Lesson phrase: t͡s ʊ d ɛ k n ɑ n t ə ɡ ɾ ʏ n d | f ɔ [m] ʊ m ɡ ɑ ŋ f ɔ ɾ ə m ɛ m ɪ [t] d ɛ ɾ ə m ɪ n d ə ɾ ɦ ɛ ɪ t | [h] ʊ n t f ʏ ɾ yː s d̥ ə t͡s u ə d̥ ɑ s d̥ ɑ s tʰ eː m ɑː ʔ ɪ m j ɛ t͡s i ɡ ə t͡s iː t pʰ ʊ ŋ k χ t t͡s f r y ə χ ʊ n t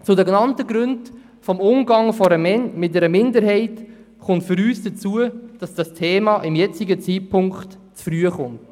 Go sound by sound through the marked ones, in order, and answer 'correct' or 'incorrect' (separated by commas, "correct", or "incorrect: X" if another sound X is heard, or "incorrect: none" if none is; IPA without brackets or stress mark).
correct, correct, incorrect: χ